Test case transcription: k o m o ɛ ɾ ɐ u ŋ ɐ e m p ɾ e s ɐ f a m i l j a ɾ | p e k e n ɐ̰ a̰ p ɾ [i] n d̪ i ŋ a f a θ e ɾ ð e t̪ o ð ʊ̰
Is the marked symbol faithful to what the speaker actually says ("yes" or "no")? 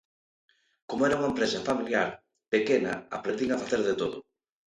no